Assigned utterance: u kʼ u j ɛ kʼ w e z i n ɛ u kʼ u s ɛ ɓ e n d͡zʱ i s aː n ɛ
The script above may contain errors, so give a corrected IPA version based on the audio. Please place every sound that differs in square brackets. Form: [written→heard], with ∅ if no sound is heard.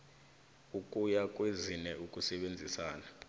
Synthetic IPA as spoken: u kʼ u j [ɛ→a] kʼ w e z i n ɛ u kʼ u s ɛ ɓ e n d͡zʱ i s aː n [ɛ→a]

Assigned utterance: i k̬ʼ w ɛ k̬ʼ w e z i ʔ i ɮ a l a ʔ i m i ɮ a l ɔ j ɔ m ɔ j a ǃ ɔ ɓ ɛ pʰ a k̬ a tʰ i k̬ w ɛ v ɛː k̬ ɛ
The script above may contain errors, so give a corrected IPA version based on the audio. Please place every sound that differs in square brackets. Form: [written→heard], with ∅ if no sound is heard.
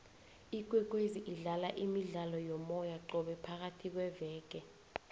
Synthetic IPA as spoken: i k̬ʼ w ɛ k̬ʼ w e z i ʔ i ɮ a l a ʔ i m i ɮ a l ɔ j ɔ m ɔ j a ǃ ɔ ɓ ɛ pʰ a k̬ a tʰ i k̬ w ɛ v ɛː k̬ ɛ

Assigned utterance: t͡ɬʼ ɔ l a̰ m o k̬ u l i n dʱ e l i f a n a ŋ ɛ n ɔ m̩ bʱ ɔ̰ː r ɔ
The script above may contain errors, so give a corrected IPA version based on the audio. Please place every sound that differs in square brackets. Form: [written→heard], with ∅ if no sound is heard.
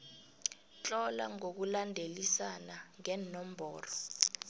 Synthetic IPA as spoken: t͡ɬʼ ɔ l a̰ [m→ŋ] o k̬ u l [i→a] n dʱ e l i [f→s] a n a ŋ ɛ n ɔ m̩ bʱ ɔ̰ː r ɔ

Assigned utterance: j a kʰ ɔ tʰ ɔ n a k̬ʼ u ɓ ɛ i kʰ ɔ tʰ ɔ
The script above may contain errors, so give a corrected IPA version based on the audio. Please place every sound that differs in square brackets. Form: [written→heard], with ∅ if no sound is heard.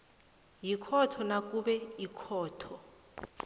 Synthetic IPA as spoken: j [a→i] kʰ ɔ tʰ ɔ n a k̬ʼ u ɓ ɛ i kʰ [ɔ→ɔː] tʰ ɔ

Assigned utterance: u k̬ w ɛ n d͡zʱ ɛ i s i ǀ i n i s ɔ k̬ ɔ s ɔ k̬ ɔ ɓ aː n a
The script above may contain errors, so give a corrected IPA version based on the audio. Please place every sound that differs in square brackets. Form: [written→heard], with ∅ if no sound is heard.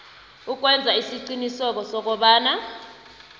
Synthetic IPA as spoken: u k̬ w ɛ n d͡zʱ [ɛ→a] i s i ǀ i n i s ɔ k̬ ɔ s ɔ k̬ ɔ ɓ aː n a

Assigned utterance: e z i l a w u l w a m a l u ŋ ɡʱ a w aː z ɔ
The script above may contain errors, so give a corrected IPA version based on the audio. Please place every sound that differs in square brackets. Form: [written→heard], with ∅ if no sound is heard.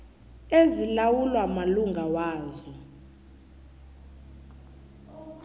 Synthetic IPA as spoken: e z i l a w u l w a m a l u ŋ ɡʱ a w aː z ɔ

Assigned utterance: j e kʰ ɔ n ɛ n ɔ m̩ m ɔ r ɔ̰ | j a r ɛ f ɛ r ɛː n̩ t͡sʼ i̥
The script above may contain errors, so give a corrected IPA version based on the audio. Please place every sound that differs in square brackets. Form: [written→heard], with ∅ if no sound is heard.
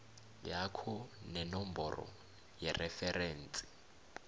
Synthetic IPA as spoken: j [e→a] kʰ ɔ n ɛ n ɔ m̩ [m→b] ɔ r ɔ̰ | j [a→ɛ] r ɛ f ɛ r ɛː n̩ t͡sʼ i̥

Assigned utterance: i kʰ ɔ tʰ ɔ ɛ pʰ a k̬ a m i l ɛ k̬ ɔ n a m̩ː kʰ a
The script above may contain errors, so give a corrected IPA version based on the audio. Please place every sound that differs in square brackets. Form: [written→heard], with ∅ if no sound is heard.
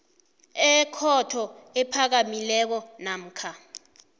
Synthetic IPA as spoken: [i→ɛ] kʰ ɔ tʰ ɔ ɛ pʰ a k̬ a m i l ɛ k̬ ɔ n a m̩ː kʰ a

